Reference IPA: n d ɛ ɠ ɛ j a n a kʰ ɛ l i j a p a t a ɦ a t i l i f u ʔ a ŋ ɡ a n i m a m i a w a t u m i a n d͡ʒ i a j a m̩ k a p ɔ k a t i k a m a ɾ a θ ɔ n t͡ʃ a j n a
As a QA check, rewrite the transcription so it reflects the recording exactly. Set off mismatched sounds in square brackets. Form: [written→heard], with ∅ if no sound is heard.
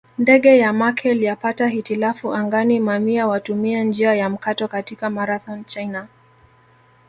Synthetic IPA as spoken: n d ɛ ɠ ɛ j a [n→m] a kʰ ɛ l i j a p a t a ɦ [a→i] t i l [i→a] f u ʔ a ŋ ɡ a n i m a m i a w a t u m i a n d͡ʒ i a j a m̩ k a [p→t] ɔ k a t i k a m a ɾ a θ ɔ n t͡ʃ a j n a

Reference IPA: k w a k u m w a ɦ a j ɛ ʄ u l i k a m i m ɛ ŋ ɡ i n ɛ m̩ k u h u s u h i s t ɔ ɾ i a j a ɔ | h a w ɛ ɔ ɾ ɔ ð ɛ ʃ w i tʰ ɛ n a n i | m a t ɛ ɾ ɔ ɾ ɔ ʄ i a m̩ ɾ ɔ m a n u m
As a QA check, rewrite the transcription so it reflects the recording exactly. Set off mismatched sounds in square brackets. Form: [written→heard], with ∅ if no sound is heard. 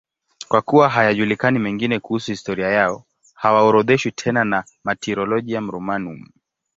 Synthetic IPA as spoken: k w a k u [m→∅] w a ɦ a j [ɛ→a] ʄ u l i k a [m→n] i m ɛ ŋ ɡ i n ɛ [m̩→∅] k u h u s u h i s t ɔ ɾ i a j a ɔ | h a w [ɛ→a] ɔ ɾ ɔ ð ɛ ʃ w i tʰ ɛ n a n [i→a] | m a t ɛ ɾ ɔ [ɾ→l] ɔ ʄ i a m̩ ɾ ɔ m a n u m

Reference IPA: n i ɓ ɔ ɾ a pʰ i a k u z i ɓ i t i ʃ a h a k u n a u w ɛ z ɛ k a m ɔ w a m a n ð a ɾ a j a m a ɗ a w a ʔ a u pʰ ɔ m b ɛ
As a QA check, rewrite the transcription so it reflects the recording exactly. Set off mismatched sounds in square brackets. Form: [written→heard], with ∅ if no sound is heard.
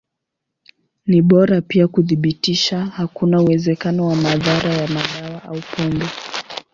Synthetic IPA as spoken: n i ɓ ɔ ɾ a [pʰ→p] i a k u [z→ð] i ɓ i t i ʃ a h a k u n a u w ɛ z ɛ k a [m→n] ɔ w a m a [n→∅] ð a ɾ a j a m a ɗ a w a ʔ a u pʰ ɔ m b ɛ

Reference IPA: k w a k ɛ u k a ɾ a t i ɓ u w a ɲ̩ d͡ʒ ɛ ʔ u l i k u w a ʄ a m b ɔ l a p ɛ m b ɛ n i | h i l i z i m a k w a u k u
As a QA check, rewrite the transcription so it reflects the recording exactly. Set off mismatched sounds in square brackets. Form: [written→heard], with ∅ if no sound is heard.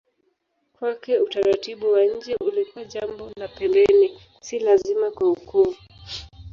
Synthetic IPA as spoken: k w a k ɛ u [k→t] a ɾ a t i ɓ u w a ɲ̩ d͡ʒ ɛ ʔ u l i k u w a ʄ a m b ɔ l a p ɛ m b ɛ n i | [h→s] i l [i→a] z i m a k w a u k u

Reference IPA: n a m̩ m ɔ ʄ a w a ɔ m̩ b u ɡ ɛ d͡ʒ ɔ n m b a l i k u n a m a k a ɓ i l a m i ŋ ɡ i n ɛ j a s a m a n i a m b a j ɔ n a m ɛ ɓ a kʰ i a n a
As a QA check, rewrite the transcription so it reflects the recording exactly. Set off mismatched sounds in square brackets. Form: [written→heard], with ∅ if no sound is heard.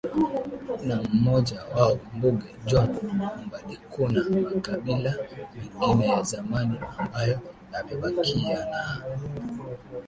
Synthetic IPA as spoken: n a m̩ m ɔ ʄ a w a ɔ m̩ b u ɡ ɛ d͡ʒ ɔ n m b a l i k u n a m a k a ɓ i l a m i ŋ ɡ i n ɛ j a [s→z] a m a n i a m b a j ɔ n a m ɛ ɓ a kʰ i a n a

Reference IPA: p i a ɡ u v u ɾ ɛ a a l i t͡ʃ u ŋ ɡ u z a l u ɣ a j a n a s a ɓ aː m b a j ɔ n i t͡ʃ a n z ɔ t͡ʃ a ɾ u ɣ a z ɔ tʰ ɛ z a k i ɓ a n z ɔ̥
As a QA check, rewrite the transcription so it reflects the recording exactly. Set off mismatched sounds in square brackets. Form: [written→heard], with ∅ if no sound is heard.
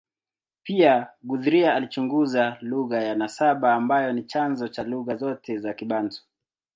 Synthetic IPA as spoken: p i a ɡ u [v→ð] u ɾ [ɛ→i] a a l i t͡ʃ u ŋ ɡ u z a l u ɣ a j a n a s a ɓ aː m b a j ɔ n i t͡ʃ a n z ɔ t͡ʃ a [ɾ→l] u ɣ a z ɔ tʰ ɛ z a k i ɓ a n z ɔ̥

